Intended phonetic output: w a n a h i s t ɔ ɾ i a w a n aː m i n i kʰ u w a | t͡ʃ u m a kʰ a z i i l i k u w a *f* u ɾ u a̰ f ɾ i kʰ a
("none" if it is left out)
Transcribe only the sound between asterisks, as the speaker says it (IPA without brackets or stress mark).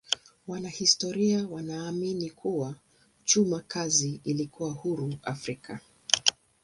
h